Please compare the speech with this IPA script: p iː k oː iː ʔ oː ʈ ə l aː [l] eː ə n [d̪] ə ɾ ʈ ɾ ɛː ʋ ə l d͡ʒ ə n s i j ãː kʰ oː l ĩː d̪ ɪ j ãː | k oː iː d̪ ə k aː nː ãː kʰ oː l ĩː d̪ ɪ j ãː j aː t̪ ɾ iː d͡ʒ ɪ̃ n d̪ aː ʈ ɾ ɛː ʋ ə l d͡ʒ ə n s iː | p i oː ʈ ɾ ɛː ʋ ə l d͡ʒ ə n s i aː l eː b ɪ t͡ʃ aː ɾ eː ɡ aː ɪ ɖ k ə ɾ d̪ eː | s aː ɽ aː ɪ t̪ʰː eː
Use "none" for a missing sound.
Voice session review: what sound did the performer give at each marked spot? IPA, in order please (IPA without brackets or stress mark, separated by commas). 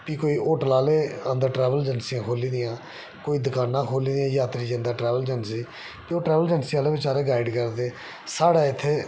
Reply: l, d̪